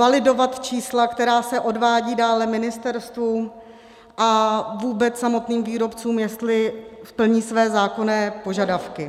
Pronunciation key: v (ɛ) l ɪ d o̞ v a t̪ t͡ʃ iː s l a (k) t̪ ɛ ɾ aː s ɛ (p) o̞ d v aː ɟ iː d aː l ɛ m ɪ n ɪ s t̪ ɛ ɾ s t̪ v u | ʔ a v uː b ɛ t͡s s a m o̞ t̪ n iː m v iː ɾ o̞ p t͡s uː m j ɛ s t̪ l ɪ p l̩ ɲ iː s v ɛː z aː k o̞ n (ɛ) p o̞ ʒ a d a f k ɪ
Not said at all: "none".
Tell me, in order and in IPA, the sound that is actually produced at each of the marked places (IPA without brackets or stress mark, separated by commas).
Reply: a, k, ʔ, ɛː